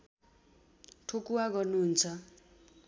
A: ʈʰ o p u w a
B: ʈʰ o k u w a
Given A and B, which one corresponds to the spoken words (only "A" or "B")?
B